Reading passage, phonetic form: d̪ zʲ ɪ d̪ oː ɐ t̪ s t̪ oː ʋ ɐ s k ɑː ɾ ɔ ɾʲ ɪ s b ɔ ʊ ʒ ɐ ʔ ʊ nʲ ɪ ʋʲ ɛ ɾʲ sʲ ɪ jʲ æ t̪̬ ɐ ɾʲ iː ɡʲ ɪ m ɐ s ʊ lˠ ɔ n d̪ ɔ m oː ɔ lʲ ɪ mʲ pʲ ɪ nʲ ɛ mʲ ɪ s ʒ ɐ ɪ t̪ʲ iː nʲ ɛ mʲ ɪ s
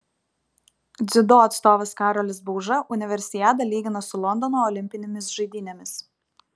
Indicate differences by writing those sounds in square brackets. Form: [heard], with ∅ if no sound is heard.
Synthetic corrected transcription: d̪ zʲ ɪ d̪ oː ɐ t̪ s t̪ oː ʋ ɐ s k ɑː ɾ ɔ [lʲ] ɪ s b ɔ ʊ ʒ ɐ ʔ ʊ nʲ ɪ ʋʲ ɛ ɾʲ sʲ ɪ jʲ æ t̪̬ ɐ [lʲ] iː ɡʲ ɪ [n] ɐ s ʊ lˠ ɔ n d̪ ɔ [n] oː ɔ lʲ ɪ mʲ pʲ ɪ nʲ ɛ mʲ ɪ s ʒ ɐ ɪ [d̪ʲ] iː nʲ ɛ mʲ ɪ s